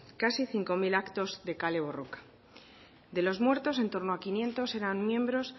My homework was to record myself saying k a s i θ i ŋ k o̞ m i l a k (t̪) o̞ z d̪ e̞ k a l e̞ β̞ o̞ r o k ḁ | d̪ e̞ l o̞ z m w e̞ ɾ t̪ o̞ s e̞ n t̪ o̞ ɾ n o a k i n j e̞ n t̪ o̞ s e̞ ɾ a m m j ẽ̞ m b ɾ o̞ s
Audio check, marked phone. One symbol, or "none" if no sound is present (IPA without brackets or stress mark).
t̪